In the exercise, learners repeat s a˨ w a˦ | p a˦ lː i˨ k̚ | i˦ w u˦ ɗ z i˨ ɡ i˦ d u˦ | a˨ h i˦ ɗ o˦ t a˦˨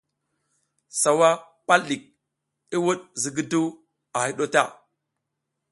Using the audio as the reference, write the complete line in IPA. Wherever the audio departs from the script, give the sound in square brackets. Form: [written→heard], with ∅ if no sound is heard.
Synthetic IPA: s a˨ w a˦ | p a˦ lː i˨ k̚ | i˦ w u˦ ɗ z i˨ ɡ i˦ d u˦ | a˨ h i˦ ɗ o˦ t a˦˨